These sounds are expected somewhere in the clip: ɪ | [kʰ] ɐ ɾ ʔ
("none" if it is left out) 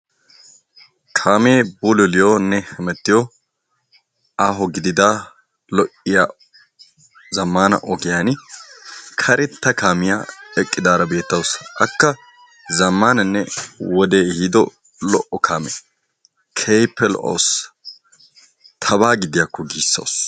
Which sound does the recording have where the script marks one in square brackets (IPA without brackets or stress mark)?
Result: kʰ